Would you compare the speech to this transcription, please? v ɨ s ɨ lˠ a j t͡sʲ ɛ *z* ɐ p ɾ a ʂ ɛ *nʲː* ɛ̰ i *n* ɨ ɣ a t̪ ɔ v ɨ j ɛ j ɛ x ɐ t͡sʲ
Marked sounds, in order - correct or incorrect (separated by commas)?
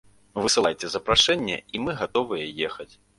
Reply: correct, correct, incorrect